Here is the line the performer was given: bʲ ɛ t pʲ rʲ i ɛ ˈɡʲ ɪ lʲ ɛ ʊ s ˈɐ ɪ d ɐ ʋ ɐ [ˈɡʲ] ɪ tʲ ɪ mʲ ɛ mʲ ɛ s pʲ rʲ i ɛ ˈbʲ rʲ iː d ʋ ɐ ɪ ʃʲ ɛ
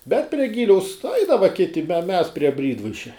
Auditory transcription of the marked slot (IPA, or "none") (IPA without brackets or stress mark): kʲ